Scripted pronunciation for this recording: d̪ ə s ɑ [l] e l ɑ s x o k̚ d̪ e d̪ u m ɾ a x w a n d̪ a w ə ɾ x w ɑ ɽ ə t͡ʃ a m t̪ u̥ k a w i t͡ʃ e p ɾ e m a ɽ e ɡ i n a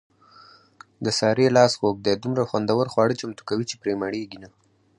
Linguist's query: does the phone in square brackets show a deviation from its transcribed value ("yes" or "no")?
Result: yes